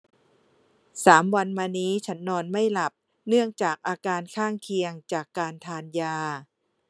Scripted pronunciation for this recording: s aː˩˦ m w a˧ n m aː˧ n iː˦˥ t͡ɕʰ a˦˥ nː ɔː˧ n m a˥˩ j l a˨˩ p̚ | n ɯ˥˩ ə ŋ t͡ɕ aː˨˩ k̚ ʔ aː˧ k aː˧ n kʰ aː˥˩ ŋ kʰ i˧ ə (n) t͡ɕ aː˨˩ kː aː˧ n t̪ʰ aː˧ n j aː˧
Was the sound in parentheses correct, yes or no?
no